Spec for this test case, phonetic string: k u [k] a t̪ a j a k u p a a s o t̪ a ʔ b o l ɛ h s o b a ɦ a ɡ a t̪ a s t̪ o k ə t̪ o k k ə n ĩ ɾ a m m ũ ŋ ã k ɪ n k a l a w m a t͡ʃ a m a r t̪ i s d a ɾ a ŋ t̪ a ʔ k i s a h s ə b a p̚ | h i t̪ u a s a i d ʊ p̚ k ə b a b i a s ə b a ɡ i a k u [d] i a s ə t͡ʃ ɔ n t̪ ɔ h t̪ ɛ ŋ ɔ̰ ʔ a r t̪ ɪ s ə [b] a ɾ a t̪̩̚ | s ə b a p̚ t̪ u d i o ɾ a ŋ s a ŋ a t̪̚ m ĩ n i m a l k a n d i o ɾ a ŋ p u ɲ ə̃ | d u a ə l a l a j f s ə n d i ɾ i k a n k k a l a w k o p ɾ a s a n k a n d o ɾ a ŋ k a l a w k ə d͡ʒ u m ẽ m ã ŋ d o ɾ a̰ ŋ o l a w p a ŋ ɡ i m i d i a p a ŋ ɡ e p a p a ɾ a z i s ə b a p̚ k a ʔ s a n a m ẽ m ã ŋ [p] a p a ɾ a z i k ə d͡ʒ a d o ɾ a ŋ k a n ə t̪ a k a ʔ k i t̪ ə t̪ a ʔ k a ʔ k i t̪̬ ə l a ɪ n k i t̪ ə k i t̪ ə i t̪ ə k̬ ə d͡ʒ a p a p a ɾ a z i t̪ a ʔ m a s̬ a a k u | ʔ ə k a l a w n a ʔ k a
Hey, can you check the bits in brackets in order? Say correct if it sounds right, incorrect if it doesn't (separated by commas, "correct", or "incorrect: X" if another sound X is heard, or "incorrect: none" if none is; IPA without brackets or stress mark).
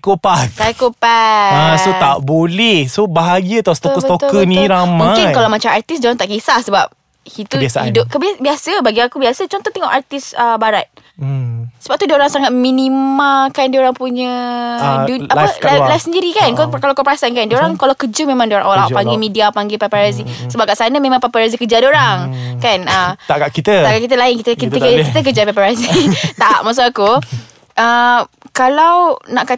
incorrect: p, incorrect: b, correct, correct